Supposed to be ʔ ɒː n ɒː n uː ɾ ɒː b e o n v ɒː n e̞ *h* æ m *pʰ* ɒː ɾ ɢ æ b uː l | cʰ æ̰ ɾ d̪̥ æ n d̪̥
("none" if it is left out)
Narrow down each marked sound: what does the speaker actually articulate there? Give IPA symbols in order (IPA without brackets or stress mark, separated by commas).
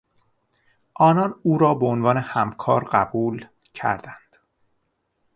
h, kʰ